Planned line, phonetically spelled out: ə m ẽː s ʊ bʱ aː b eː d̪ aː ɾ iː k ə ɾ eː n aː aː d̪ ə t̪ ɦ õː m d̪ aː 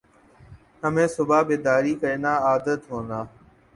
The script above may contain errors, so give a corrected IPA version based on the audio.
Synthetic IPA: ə m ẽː s ʊ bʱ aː b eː d̪ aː ɾ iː k ə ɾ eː n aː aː d̪ ə t̪ ɦ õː n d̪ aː